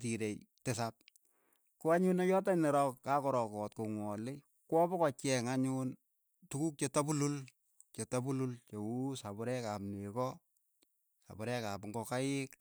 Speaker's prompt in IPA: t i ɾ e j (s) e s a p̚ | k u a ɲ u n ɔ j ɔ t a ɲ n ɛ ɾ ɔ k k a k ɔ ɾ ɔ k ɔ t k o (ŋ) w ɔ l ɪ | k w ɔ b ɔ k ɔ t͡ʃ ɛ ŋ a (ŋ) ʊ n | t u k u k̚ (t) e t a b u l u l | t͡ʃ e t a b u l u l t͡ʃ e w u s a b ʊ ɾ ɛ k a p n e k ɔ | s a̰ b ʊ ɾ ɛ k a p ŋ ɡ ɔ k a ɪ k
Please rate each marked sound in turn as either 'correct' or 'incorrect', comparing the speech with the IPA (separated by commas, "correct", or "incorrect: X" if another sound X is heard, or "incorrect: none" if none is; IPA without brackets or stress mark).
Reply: incorrect: t, correct, incorrect: ɲ, incorrect: t͡ʃ